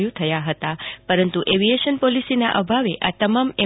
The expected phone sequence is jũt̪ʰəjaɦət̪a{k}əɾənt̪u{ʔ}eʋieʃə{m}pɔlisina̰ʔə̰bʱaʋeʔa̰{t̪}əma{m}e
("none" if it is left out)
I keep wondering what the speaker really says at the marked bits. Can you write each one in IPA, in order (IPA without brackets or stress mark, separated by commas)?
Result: p, ʔ, n, t̪, m